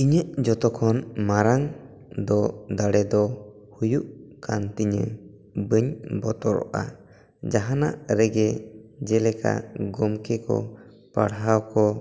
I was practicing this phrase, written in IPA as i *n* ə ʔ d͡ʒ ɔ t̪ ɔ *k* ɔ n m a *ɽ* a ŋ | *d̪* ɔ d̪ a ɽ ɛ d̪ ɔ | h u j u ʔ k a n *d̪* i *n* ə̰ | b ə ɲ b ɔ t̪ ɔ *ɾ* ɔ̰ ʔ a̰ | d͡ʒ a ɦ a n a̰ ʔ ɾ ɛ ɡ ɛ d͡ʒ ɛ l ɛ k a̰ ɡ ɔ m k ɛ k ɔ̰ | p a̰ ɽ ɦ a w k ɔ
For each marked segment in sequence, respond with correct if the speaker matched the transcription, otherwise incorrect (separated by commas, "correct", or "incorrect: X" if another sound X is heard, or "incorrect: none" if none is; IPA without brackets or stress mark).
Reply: incorrect: ɲ, incorrect: kʰ, incorrect: ɾ, correct, incorrect: t̪, incorrect: ɲ, correct